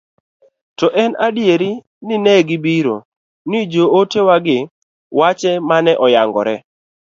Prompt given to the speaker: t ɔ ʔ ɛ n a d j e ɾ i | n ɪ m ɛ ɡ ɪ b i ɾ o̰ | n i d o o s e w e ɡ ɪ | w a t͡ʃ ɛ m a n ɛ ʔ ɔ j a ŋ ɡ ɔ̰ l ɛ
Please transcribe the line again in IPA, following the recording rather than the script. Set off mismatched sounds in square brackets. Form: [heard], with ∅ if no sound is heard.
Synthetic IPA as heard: t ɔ ʔ ɛ n a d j e ɾ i | n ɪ [n] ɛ ɡ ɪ b i ɾ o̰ | n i [d͡ʒ] o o [t] e w [a] ɡ ɪ | w a t͡ʃ ɛ m a n ɛ ʔ ɔ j a ŋ ɡ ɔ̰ [ɾ] ɛ